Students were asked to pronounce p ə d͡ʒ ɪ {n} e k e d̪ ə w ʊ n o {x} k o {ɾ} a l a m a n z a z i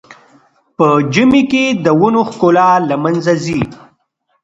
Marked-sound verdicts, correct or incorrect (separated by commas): incorrect, correct, incorrect